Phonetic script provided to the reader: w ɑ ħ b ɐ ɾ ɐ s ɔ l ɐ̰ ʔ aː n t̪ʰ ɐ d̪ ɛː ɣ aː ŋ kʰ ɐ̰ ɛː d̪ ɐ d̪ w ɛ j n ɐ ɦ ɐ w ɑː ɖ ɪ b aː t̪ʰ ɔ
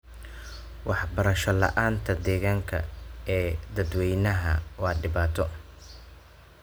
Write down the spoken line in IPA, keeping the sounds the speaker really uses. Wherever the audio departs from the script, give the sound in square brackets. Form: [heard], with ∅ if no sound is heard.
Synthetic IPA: w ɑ ħ b ɐ ɾ ɐ [ʃ] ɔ l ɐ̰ ʔ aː n t̪ʰ ɐ d̪ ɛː ɣ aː ŋ kʰ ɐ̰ ɛː d̪ ɐ d̪ w ɛ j n ɐ ɦ ɐ w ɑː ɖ ɪ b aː t̪ʰ ɔ